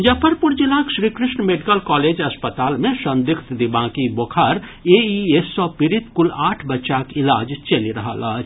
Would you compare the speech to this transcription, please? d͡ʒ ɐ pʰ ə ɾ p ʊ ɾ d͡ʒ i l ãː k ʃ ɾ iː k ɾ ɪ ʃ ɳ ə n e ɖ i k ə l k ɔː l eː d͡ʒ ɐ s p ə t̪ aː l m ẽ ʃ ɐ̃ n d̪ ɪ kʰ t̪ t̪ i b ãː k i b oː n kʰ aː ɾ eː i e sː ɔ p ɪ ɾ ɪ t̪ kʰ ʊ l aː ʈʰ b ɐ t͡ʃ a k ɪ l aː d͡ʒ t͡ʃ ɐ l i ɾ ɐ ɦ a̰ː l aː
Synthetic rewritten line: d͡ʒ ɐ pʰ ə ɾ p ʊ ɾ d͡ʒ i l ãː k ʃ ɾ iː k ɾ ɪ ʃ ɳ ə m e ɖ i k ə l k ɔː l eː d͡ʒ ɐ s p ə t̪ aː l m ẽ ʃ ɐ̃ n d̪ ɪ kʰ t̪ d̪ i b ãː k i b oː kʰ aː ɾ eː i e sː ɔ p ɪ ɾ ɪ t̪ k ʊ l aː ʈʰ b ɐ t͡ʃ a k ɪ l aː d͡ʒ t͡ʃ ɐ l i ɾ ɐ ɦ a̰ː l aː